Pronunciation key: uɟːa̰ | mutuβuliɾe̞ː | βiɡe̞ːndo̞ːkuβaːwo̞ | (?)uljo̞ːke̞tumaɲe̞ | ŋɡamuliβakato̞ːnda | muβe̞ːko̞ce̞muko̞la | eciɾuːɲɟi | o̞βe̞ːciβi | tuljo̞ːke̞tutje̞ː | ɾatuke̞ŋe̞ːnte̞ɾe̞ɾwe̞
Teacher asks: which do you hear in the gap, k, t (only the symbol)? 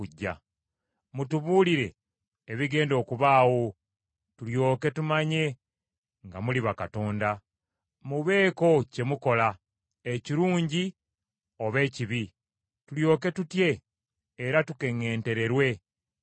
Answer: t